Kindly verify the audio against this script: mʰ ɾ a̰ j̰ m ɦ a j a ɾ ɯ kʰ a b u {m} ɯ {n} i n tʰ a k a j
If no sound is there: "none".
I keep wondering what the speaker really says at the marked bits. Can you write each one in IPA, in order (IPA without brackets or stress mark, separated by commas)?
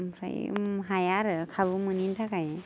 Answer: m, n